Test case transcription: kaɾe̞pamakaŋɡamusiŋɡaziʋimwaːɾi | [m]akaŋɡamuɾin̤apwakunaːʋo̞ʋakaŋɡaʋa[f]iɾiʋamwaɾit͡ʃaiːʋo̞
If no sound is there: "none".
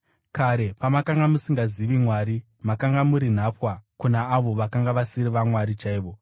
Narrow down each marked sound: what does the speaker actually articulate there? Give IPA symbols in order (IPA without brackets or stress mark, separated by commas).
m, s